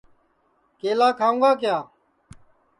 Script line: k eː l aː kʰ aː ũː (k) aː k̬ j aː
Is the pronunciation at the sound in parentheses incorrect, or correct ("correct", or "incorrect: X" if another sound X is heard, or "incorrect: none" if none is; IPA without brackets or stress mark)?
incorrect: ɡ